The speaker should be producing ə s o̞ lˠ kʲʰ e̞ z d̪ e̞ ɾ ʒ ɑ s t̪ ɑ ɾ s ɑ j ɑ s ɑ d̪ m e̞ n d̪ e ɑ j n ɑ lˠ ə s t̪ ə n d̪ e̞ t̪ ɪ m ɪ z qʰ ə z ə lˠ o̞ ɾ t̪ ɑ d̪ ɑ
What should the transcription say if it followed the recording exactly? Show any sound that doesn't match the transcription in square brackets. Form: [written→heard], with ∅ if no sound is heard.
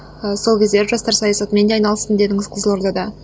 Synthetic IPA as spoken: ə s o̞ lˠ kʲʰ e̞ z d̪ e̞ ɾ ʒ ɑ s t̪ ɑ ɾ s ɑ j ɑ s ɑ [d̪→t̪] m e̞ n d̪ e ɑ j n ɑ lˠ ə s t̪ ə n d̪ e̞ [t̪→d̪] ɪ [m→ŋ] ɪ z qʰ ə z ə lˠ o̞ ɾ [t̪→d̪] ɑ d̪ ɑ